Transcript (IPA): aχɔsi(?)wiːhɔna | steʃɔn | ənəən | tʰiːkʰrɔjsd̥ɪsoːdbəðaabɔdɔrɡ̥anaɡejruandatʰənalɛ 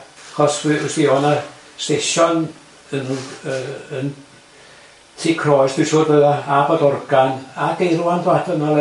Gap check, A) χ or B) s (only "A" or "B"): B